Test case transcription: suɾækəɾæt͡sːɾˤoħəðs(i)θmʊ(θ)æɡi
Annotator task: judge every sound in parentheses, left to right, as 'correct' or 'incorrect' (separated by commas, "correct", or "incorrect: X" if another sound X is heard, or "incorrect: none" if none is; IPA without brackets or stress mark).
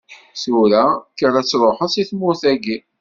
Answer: correct, correct